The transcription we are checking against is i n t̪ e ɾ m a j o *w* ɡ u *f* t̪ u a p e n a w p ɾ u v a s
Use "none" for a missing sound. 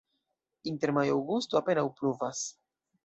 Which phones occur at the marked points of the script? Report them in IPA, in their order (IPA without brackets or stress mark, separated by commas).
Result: w, s